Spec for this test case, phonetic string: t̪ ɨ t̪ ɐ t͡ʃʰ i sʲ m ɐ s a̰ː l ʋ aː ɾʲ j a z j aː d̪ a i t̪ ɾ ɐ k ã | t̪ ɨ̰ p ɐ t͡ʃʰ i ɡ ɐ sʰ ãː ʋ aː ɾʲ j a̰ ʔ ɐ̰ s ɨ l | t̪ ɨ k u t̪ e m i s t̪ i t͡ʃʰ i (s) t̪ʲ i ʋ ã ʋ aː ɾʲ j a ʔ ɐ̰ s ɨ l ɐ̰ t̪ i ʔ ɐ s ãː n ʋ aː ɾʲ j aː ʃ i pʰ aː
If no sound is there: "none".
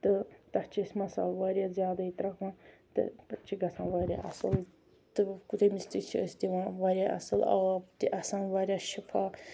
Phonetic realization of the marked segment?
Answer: s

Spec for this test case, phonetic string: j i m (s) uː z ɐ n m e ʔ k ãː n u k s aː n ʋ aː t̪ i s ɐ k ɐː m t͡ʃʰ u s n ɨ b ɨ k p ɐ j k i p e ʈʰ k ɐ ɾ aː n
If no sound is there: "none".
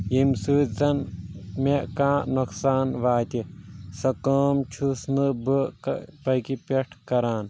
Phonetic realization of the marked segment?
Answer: s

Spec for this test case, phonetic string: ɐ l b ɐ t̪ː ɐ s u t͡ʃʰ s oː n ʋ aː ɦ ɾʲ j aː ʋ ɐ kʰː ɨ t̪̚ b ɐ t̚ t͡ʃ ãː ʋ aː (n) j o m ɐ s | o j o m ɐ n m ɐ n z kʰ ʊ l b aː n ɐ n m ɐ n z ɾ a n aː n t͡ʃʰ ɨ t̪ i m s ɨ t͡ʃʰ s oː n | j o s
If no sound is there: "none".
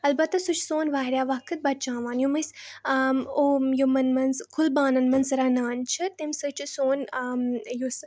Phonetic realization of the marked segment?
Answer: n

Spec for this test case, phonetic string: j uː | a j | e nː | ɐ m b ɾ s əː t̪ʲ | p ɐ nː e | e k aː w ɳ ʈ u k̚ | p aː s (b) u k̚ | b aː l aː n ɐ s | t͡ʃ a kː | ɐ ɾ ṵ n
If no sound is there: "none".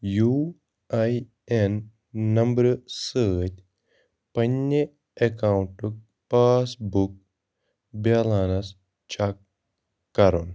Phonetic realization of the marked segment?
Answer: b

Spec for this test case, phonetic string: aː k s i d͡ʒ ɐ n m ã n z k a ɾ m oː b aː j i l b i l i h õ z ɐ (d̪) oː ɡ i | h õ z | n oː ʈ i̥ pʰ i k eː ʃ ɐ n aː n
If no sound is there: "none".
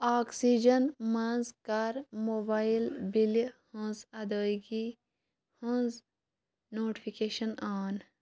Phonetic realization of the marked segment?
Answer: d̪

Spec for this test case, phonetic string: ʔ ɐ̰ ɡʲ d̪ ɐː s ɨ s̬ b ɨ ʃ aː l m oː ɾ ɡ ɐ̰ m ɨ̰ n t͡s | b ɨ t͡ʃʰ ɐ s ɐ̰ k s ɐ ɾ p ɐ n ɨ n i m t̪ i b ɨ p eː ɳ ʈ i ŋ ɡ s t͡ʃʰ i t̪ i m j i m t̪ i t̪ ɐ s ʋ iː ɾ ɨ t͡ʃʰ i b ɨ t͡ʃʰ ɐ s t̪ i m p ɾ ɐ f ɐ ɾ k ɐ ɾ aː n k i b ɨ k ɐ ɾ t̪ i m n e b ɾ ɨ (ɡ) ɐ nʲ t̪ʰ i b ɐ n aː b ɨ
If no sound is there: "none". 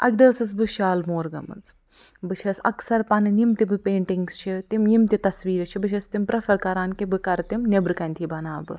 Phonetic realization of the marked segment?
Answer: k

